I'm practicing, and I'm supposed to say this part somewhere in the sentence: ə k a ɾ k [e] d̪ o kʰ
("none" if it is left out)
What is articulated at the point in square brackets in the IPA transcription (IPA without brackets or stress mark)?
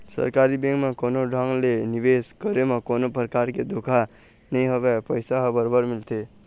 e